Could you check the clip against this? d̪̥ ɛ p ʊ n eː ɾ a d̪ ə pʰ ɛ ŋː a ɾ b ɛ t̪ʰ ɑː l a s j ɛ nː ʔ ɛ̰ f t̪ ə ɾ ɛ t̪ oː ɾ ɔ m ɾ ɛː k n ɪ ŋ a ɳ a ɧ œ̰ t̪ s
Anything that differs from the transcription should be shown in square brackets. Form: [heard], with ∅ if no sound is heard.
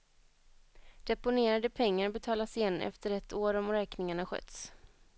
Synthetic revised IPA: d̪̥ ɛ p ʊ n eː ɾ a d̪ ə pʰ ɛ ŋː a ɾ b ɛ t̪ʰ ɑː l a s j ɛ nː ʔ ɛ̰ f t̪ ə ɾ ɛ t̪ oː ɾ ɔ m ɾ ɛː k n ɪ ŋ a ɳ a ɧ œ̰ t̪ s